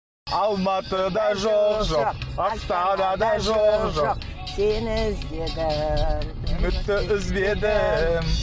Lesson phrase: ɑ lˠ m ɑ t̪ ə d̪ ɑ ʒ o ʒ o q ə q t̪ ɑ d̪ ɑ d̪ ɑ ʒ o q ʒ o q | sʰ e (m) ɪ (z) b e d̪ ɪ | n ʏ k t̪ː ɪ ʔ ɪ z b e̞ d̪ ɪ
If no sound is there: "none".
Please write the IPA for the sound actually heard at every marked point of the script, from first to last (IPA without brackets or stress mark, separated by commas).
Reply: n, z